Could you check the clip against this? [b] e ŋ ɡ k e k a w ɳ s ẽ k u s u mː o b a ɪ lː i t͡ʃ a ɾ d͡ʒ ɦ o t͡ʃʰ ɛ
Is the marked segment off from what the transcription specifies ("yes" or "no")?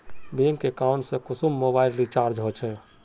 no